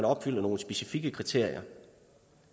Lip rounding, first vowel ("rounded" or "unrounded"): rounded